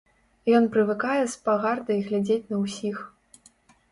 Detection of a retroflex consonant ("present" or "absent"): absent